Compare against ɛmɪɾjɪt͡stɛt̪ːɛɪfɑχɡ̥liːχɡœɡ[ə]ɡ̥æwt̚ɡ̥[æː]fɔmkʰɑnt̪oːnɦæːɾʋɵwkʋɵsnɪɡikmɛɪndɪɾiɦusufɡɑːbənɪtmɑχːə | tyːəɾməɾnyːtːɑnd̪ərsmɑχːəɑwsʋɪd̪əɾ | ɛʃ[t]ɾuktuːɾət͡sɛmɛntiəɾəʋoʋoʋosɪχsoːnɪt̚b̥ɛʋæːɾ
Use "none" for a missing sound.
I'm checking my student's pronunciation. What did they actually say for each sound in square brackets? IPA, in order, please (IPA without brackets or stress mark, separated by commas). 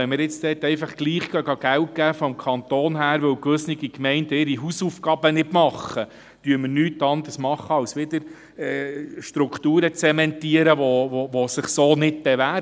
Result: ɑ, æː, t